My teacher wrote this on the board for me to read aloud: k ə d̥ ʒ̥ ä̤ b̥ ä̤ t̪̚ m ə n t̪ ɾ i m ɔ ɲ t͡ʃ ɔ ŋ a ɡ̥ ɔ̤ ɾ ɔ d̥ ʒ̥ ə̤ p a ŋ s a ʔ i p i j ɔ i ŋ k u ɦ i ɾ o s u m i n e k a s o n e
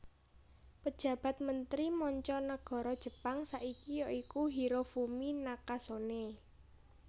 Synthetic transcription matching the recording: p ə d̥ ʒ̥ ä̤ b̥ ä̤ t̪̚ m ə n t̪ ɾ i m ɔ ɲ t͡ʃ ɔ n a ɡ̥ ɔ̤ ɾ ɔ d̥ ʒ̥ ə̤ p a ŋ s a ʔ i k i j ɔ i k u ɦ i ɾ o f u m i n a k a s o n e